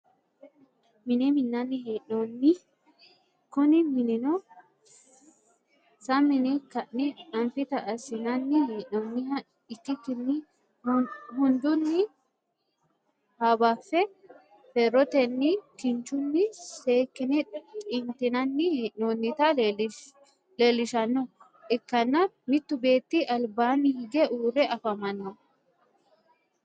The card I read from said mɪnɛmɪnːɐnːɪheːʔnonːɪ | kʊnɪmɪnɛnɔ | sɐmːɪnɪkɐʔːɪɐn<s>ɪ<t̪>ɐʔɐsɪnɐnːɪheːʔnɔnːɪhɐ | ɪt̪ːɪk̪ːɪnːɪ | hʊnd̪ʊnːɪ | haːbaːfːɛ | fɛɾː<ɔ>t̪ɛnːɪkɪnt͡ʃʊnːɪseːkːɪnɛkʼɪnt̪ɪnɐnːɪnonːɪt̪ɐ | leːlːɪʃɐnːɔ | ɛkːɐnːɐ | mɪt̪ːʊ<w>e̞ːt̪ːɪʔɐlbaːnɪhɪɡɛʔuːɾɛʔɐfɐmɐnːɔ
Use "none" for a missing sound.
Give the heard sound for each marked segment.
f, t̪, ɔ, b

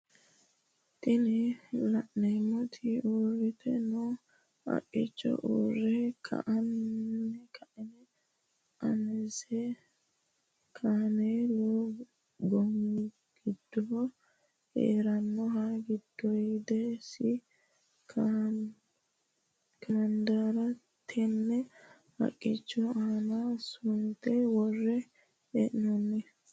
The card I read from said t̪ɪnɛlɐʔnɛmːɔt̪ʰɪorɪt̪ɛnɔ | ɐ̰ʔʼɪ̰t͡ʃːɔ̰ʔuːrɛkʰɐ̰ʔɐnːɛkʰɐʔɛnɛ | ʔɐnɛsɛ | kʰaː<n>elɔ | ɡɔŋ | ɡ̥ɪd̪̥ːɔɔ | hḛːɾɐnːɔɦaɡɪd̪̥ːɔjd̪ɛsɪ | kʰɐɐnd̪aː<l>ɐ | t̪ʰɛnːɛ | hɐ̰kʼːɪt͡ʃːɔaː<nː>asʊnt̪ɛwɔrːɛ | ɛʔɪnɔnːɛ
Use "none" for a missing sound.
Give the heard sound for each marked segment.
n, ɾ, n

